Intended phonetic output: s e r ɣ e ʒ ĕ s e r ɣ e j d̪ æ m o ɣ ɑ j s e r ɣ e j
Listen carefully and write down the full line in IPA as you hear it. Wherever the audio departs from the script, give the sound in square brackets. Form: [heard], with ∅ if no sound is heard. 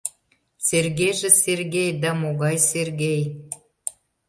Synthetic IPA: s e r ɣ e ʒ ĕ s e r ɣ e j d̪ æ m o ɣ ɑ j s e r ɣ e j